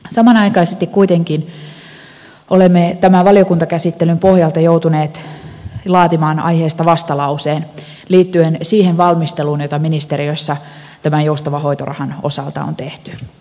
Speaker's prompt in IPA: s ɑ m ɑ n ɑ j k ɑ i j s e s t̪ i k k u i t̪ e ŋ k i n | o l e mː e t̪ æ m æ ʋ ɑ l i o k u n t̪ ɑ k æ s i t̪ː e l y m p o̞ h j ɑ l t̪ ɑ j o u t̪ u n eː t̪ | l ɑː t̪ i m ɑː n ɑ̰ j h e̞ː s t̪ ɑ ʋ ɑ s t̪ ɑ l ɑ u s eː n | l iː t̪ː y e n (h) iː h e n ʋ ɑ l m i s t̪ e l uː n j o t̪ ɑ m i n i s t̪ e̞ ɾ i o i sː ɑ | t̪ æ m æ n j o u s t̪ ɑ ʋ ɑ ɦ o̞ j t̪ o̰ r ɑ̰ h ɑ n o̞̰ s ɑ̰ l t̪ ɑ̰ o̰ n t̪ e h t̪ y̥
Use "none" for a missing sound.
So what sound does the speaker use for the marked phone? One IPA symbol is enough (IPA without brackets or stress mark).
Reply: s